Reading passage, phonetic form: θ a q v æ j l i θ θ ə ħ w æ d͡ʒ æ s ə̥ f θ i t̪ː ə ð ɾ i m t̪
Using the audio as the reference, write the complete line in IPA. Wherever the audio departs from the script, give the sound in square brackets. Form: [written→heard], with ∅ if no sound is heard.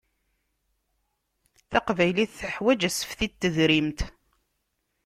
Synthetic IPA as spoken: θ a q v æ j l i θ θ ə ħ w æ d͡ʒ æ s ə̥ f θ i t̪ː ə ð ɾ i m t̪